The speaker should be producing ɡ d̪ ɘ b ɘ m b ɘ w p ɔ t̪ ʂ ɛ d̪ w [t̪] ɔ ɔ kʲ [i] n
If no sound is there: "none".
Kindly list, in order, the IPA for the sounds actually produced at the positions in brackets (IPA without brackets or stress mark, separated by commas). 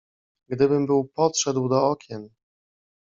d̪, ɛ